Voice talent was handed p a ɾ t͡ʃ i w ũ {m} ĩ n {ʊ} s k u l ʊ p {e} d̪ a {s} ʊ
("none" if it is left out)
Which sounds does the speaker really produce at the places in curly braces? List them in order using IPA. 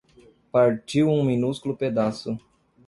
m, u, e, s

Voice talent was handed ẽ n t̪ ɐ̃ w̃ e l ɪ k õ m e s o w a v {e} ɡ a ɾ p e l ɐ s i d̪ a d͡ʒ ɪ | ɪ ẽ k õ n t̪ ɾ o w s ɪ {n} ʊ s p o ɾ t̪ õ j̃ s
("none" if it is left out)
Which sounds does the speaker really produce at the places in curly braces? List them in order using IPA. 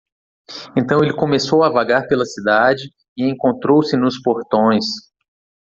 a, n

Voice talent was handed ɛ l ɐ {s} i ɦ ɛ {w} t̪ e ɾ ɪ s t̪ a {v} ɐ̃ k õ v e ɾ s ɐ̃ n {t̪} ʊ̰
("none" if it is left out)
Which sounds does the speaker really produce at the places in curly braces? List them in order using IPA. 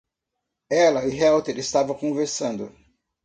none, w, v, d̪

